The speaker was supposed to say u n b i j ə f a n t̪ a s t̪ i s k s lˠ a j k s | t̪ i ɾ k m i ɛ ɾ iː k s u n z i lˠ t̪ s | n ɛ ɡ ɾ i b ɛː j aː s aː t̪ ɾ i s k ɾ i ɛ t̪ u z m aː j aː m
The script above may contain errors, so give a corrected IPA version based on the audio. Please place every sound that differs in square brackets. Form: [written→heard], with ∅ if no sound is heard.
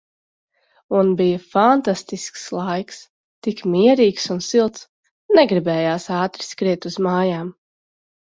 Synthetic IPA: u n b i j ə f a n t̪ a s t̪ i s k s lˠ a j k s | t̪ i [ɾ→∅] k m i ɛ ɾ iː k s u n [z→s] i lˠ t̪ s | n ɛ ɡ ɾ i b ɛː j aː s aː t̪ ɾ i s k ɾ i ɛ t̪ u z m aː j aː m